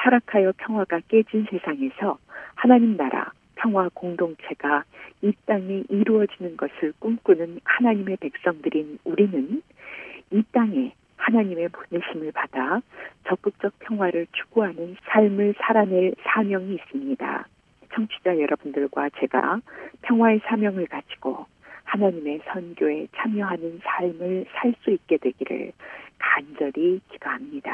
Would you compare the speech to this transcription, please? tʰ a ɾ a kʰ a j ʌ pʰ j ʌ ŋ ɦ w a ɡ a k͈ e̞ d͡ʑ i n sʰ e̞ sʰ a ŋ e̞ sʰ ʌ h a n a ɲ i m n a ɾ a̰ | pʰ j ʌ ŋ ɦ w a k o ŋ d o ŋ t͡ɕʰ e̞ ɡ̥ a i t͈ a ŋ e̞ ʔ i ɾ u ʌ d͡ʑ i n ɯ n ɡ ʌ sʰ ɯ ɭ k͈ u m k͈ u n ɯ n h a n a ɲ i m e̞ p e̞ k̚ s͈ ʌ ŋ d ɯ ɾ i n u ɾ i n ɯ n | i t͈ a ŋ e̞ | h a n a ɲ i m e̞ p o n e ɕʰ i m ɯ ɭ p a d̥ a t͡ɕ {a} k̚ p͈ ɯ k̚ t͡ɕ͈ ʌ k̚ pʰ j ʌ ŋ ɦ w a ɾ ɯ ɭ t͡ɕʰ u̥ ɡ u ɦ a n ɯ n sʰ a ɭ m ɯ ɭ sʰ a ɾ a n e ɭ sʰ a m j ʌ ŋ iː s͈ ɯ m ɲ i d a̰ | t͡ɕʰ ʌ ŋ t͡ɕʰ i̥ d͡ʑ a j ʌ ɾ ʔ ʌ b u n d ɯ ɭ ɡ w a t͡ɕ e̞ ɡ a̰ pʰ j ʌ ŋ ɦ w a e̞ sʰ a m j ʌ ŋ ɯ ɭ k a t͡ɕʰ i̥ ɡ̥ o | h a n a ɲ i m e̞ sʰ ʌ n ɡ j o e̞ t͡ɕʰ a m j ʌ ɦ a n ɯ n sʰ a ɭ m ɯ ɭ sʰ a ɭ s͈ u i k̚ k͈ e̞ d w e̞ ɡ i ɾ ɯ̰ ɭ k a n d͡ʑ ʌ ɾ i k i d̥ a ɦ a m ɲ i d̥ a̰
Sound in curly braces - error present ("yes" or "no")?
yes